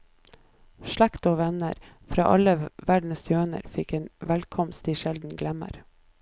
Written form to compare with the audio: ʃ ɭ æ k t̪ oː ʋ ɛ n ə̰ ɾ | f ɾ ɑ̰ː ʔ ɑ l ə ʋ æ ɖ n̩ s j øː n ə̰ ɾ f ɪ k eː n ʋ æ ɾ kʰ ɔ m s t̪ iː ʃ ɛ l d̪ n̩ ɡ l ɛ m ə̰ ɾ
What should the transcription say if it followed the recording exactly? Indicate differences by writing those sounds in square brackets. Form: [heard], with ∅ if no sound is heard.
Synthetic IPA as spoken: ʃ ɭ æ k t̪ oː ʋ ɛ n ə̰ ɾ | f ɾ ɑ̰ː ʔ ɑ l ə ʋ æ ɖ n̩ s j øː n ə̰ ɾ f ɪ k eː n ʋ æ [l] kʰ ɔ m s t̪ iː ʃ ɛ l d̪ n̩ ɡ l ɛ m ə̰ ɾ